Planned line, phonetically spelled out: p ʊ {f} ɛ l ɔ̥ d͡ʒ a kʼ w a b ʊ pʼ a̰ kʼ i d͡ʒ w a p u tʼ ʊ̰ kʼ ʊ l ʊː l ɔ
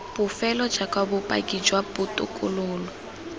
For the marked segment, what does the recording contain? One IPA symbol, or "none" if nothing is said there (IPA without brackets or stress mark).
f